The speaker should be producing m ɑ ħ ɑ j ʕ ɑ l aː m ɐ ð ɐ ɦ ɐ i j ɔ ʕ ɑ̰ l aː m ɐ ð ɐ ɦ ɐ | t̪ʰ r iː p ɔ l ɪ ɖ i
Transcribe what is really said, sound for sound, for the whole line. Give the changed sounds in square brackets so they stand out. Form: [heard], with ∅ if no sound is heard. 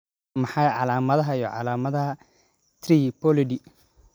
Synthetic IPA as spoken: m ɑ ħ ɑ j ʕ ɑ l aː m ɐ ð ɐ ɦ ɐ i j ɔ ʕ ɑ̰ l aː m ɐ ð ɐ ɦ ɐ | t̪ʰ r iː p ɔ l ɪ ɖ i